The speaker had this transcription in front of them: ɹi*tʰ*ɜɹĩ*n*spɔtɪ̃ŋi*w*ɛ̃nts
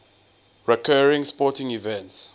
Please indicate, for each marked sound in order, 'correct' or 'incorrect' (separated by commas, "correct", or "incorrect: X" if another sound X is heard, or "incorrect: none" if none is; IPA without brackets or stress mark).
incorrect: kʰ, incorrect: ŋ, incorrect: v